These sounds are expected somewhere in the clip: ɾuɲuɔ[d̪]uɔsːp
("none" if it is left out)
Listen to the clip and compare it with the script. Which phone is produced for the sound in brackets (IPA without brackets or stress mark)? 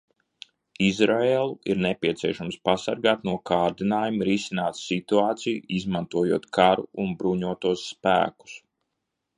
t̪